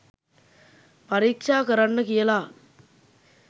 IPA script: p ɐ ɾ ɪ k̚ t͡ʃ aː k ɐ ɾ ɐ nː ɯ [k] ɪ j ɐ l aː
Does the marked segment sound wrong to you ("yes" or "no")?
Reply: no